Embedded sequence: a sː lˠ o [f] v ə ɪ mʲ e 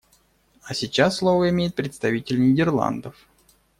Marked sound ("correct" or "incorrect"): incorrect